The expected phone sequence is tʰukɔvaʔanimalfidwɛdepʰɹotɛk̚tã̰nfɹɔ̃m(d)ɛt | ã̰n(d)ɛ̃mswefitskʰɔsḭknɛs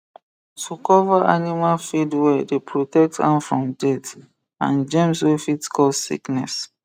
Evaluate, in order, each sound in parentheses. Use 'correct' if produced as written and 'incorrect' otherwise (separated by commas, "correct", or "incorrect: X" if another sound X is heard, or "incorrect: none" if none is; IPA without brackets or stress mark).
correct, incorrect: d͡ʒ